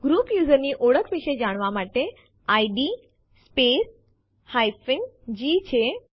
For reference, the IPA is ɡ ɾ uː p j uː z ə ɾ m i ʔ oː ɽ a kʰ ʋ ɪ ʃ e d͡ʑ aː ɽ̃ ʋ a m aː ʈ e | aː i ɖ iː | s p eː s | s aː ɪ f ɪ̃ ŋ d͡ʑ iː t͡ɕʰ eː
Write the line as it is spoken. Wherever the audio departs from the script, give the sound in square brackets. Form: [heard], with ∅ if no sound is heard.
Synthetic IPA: ɡ ɾ uː p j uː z ə ɾ [n] i ʔ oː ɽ [ə] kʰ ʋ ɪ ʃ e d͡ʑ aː ɽ̃ ʋ a m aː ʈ e | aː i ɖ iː | s p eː s | [h] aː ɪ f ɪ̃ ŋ d͡ʑ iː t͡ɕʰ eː